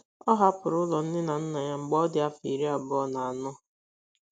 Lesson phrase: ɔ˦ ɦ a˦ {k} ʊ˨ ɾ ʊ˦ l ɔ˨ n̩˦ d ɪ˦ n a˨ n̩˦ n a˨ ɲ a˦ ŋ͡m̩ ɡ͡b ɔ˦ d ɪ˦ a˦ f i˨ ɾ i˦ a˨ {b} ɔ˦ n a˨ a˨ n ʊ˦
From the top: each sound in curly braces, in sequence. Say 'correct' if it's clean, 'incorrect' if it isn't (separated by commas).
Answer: incorrect, correct